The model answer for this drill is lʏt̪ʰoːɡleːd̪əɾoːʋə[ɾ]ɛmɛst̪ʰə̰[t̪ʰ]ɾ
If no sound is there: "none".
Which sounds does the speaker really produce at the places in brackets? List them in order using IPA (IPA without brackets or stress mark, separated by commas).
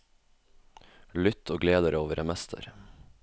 ɾ, none